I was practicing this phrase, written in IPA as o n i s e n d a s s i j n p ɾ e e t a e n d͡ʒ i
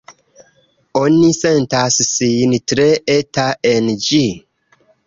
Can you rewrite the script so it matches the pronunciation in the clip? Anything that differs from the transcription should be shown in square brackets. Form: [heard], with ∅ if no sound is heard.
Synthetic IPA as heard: o n i s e n [t] a s s i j n [t] ɾ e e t a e n d͡ʒ i